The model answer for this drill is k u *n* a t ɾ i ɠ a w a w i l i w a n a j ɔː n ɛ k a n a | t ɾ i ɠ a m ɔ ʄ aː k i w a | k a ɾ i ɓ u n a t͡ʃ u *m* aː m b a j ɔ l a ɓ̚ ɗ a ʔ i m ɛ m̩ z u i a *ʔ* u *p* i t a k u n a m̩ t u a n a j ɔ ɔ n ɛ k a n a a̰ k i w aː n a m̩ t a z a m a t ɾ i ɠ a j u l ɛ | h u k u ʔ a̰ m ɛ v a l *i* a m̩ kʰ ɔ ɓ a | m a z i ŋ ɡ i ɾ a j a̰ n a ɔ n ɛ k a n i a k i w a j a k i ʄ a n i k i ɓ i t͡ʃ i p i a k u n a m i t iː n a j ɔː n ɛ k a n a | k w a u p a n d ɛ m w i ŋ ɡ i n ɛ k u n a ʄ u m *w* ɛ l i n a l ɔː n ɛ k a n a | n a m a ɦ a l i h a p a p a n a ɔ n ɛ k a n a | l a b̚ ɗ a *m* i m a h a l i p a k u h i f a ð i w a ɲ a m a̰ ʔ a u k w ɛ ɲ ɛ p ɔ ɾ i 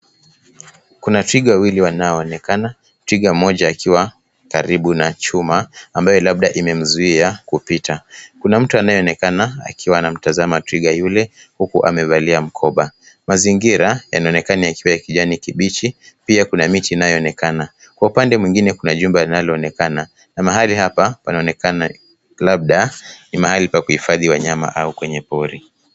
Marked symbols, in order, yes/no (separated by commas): yes, yes, no, yes, yes, no, no